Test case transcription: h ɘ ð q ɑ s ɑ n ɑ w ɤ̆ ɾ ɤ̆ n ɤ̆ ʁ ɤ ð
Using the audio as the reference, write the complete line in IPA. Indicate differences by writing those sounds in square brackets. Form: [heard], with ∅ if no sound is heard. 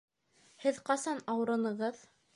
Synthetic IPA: h ɘ ð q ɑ s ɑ n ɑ w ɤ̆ ɾ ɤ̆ n ɤ̆ ʁ ɤ ð